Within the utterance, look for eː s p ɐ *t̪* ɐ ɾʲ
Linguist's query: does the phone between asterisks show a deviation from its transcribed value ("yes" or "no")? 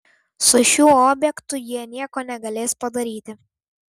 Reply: yes